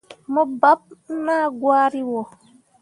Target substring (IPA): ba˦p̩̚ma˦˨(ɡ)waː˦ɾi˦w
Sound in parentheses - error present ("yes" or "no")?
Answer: no